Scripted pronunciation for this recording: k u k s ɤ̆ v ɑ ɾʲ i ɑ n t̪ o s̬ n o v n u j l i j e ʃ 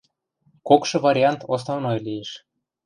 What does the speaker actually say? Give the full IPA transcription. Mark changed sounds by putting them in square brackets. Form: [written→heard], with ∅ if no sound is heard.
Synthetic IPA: k [u→o] k [s→ʃ] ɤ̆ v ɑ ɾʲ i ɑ n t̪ o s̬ n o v n [u→o] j l i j e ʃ